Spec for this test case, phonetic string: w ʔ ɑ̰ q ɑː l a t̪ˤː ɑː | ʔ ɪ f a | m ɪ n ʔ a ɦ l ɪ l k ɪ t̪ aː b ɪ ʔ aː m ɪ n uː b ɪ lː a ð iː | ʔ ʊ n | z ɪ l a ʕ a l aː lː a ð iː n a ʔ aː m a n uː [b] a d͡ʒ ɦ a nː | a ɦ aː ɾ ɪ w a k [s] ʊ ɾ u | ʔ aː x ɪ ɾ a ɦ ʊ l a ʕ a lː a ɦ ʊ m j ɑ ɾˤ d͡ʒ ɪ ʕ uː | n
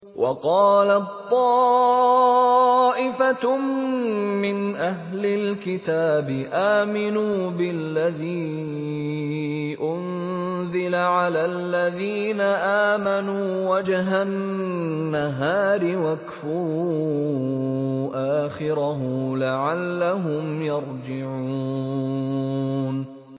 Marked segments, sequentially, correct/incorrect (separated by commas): incorrect, incorrect